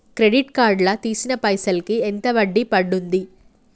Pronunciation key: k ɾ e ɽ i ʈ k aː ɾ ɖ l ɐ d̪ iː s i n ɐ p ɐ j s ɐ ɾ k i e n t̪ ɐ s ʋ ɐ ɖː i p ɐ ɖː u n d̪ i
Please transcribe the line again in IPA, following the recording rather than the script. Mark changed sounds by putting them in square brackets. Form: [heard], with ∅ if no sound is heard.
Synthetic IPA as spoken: k ɾ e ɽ i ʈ k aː ɾ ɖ l ɐ [t̪] iː s i n ɐ p ɐ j s ɐ [l] k i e n t̪ ɐ [∅] ʋ ɐ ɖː i p ɐ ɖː u n d̪ i